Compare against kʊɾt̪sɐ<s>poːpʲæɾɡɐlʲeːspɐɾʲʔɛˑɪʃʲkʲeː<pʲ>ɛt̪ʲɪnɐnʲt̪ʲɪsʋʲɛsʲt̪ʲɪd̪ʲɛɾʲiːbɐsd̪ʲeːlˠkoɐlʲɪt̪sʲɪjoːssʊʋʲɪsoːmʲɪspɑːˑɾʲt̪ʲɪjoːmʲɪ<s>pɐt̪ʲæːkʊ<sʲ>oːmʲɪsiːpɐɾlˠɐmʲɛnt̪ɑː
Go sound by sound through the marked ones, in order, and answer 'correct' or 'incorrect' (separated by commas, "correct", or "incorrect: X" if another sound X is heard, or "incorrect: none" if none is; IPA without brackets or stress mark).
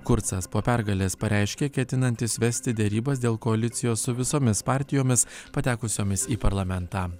correct, incorrect: kʲ, correct, correct